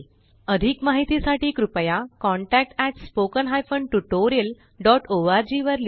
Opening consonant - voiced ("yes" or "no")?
yes